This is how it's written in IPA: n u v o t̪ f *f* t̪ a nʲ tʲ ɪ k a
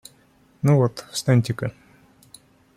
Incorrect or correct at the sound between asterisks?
incorrect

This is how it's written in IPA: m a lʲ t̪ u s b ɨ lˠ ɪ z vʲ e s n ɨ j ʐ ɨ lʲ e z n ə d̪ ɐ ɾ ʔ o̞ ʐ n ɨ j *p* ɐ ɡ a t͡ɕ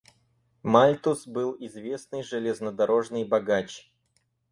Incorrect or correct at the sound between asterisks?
incorrect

